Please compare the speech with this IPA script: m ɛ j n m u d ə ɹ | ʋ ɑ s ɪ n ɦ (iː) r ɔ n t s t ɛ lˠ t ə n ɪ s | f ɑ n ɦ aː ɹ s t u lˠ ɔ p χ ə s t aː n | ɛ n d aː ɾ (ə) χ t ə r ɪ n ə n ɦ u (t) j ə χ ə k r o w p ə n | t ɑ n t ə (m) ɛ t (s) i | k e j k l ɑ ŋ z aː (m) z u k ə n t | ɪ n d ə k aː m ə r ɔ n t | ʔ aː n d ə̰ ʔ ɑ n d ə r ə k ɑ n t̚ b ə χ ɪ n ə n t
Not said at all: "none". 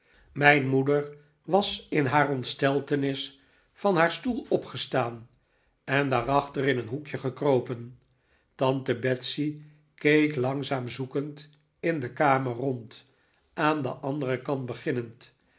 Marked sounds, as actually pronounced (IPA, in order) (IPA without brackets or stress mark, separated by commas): aː, ɑ, k, b, s, m